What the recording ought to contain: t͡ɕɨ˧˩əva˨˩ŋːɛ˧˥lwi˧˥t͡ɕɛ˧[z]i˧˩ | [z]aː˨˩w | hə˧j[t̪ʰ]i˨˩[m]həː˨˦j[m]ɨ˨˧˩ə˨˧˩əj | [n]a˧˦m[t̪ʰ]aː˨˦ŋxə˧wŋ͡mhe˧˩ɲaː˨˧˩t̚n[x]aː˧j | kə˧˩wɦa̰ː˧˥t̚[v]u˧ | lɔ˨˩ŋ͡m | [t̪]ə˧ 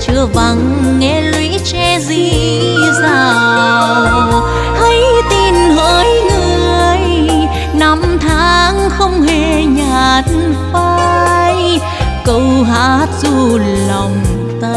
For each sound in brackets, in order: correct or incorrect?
correct, correct, incorrect: t̪, incorrect: n, incorrect: ŋ, correct, correct, incorrect: f, incorrect: z, correct

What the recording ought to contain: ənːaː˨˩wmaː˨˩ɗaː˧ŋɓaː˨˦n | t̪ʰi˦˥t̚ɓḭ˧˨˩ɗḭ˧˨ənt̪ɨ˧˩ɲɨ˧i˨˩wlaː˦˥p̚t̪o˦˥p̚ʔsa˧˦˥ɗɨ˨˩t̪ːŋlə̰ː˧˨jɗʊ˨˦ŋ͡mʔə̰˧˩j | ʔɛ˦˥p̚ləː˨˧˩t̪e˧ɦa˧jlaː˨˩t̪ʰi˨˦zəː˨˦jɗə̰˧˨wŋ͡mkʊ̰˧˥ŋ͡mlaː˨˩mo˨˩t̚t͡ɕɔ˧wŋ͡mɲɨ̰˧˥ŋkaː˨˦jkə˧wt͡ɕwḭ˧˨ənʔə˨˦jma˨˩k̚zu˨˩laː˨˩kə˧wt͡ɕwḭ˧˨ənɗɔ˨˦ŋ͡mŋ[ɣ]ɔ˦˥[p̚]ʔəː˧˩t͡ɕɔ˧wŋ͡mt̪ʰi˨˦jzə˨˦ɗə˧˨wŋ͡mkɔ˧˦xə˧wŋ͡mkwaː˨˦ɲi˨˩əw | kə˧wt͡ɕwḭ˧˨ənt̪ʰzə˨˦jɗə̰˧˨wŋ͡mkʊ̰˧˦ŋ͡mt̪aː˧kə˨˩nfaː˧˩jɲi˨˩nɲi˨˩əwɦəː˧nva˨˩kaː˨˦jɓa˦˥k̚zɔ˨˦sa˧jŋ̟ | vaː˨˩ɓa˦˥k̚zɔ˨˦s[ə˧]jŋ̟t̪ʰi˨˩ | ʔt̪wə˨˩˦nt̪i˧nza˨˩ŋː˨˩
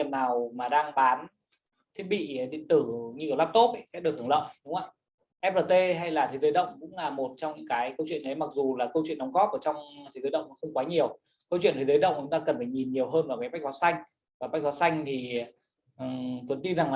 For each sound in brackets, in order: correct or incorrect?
correct, correct, incorrect: a˧

